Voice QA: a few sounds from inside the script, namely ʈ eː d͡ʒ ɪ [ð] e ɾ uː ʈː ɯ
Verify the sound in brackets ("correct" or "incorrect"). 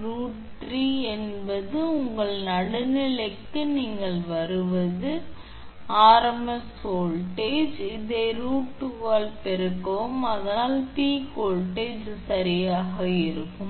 correct